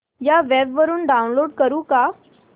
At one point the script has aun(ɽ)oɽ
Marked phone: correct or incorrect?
incorrect